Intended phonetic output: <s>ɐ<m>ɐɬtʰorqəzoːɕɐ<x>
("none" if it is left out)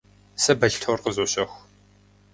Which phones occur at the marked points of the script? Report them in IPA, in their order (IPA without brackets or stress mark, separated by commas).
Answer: s, b, x